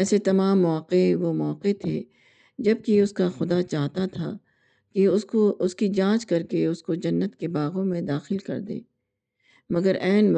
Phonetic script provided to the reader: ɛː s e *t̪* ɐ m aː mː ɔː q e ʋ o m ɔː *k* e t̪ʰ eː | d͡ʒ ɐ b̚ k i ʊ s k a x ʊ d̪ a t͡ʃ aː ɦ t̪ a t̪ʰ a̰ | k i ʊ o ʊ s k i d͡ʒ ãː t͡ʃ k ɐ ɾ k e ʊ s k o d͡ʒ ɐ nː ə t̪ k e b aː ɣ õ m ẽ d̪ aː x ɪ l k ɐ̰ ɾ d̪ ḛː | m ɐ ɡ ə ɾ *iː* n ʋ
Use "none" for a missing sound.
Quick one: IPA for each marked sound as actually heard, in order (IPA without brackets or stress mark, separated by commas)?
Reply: t̪, q, ɛː